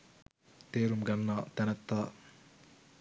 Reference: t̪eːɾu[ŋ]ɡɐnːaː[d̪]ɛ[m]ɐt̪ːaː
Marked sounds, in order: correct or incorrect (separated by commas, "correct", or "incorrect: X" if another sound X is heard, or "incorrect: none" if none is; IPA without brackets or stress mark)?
incorrect: m, incorrect: t̪, incorrect: n